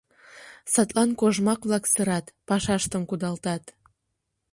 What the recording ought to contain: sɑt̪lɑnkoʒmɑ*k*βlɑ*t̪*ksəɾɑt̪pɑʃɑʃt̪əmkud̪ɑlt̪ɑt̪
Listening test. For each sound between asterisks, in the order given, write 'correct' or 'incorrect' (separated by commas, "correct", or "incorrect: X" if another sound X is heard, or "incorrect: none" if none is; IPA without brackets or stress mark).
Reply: correct, incorrect: none